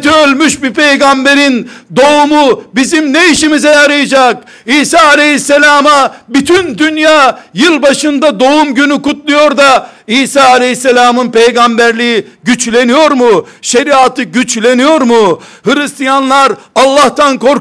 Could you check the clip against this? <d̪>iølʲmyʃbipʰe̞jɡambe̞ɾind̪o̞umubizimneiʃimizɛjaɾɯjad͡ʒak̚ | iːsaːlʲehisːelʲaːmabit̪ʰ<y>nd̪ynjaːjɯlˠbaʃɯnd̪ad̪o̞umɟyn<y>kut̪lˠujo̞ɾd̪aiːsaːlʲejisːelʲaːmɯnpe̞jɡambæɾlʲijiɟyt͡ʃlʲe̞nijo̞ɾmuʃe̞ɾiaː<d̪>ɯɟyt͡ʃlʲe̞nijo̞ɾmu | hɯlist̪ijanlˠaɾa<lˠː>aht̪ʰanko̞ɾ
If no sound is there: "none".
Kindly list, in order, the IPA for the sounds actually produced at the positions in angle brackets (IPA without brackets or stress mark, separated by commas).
t̪, y, y, t̪, lˠː